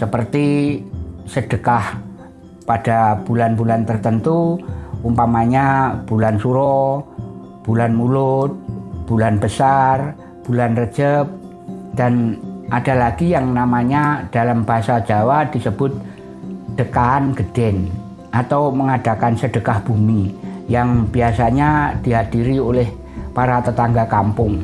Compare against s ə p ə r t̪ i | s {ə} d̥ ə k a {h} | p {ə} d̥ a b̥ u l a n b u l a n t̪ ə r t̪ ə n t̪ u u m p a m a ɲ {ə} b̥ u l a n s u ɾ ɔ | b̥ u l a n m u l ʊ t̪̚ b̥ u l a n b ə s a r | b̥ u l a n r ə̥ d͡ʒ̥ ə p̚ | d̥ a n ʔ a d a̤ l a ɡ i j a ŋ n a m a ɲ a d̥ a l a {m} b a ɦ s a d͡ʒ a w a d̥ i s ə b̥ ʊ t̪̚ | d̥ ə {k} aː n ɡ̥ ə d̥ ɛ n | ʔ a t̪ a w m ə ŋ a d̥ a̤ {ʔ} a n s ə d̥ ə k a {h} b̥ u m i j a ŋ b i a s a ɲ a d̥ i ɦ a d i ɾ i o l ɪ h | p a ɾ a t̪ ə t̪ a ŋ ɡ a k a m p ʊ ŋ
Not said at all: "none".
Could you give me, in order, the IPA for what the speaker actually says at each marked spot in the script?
ə, h, a, a, m, k, k, h

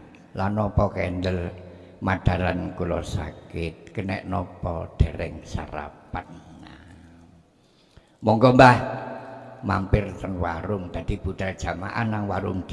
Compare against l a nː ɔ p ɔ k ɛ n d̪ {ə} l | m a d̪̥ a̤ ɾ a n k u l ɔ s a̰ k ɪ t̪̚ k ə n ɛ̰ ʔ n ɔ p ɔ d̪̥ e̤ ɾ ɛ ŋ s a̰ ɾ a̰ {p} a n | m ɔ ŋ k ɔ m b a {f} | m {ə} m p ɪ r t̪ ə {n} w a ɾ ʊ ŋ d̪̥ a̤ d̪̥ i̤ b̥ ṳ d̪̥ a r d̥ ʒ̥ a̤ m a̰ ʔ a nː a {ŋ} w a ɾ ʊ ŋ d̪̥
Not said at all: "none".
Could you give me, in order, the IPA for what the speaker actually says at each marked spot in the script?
ə, p, h, a, n, ŋ

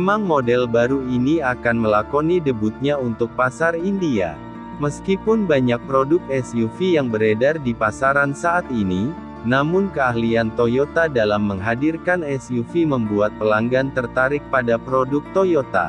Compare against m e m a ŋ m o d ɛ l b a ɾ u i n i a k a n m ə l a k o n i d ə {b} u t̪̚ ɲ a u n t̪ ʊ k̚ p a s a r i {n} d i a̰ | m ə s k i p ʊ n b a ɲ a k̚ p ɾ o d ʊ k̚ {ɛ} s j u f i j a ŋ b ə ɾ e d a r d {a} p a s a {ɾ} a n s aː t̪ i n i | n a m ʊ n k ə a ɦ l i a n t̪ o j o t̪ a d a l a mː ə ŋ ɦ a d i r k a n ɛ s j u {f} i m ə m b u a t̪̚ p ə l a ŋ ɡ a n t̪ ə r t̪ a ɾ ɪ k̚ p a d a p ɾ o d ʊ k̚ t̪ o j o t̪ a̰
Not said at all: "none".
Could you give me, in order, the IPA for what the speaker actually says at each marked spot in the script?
b, n, ɛ, i, ɾ, f

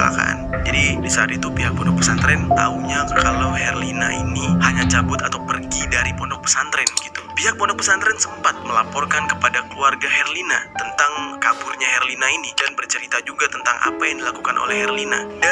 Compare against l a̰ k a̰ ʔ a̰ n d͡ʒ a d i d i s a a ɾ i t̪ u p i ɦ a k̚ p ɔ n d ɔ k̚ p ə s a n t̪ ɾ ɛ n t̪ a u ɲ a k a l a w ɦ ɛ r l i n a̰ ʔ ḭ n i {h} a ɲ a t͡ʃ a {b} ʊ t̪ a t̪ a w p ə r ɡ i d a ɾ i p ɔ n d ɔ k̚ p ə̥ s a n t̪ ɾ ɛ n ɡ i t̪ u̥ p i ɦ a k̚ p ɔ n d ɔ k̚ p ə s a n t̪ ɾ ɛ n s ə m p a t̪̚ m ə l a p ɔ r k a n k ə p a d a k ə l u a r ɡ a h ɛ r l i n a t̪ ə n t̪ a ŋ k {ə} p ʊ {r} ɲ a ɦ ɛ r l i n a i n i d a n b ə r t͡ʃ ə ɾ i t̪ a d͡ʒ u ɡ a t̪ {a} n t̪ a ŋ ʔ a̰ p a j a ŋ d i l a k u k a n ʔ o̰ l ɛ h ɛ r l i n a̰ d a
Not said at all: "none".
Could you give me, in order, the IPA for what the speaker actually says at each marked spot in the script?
h, b, a, r, ə

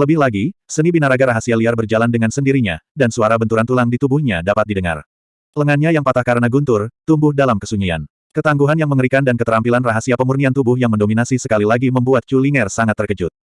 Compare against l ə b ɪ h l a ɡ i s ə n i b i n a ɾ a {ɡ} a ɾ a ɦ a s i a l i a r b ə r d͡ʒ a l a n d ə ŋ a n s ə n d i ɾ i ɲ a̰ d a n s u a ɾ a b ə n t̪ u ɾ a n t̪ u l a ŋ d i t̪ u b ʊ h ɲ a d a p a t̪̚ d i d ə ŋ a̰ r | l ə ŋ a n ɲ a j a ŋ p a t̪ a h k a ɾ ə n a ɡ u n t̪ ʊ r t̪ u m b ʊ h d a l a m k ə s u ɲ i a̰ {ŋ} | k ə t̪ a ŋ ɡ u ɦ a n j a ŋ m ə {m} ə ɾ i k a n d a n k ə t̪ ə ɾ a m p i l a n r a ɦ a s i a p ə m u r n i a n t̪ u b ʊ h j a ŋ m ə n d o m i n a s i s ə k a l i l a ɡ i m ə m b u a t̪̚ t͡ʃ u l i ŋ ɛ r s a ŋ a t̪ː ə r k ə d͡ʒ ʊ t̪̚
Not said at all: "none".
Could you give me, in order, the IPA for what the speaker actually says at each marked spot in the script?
ɡ, n, ŋ

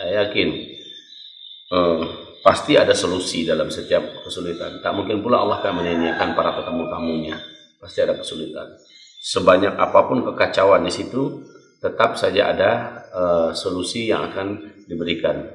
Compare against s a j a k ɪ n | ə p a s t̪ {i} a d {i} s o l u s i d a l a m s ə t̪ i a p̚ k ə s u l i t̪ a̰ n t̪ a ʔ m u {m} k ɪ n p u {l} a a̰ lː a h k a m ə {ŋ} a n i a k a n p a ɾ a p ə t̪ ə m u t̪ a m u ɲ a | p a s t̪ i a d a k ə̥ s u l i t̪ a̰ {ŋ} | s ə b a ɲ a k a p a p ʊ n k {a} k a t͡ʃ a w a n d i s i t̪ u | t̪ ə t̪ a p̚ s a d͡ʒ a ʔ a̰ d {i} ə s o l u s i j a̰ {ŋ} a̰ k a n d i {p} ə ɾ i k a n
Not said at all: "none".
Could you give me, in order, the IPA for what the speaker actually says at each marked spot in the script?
i, a, ŋ, l, ɲ, n, ə, a, ŋ, b

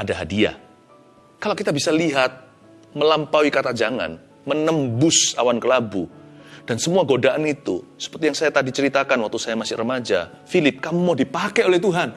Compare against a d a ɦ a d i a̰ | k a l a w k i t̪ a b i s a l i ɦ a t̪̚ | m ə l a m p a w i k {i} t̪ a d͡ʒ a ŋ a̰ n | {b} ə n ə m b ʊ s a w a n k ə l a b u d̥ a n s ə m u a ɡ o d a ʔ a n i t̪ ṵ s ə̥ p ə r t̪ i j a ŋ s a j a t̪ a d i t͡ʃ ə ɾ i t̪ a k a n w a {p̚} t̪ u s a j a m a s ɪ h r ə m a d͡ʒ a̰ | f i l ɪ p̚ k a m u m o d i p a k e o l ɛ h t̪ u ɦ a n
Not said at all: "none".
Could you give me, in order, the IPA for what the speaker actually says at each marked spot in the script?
a, m, k̚

